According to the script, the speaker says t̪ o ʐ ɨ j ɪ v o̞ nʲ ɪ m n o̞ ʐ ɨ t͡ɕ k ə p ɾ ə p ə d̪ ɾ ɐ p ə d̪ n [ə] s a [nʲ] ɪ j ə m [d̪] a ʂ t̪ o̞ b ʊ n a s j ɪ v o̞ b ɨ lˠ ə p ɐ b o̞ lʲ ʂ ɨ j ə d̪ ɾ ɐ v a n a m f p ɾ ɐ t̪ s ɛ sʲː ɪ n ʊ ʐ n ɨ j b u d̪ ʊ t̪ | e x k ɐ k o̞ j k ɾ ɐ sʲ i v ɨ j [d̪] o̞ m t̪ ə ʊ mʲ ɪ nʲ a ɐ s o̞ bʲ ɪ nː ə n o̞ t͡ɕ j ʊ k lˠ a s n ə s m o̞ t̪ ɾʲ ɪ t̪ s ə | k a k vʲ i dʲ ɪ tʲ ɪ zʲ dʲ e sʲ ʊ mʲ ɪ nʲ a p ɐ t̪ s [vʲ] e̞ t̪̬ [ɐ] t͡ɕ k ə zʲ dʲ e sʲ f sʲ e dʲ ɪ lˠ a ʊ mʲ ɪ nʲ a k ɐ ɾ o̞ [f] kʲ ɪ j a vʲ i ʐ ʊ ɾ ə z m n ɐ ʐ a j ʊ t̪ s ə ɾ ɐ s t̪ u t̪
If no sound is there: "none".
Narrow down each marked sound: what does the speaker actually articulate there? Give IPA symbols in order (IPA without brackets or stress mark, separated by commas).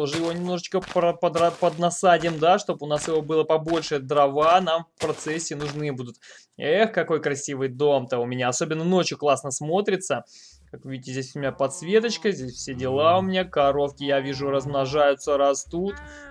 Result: ɐ, dʲ, d̪, d̪, vʲ, ə, f